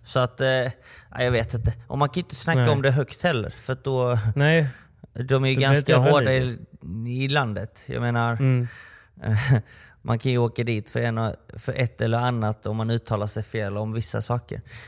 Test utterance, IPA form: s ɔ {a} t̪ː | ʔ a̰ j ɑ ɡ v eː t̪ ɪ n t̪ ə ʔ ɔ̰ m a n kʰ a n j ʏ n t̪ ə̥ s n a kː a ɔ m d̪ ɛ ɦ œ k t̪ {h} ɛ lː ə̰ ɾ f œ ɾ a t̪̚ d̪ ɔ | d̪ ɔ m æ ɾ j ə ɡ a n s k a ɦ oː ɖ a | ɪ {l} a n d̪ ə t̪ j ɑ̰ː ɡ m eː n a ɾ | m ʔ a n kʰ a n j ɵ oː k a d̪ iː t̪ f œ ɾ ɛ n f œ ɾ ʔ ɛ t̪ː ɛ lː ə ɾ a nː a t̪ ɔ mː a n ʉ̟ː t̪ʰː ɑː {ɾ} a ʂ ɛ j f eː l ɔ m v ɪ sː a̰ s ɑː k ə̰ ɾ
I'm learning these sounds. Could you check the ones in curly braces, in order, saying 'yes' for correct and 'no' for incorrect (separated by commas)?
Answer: yes, yes, yes, no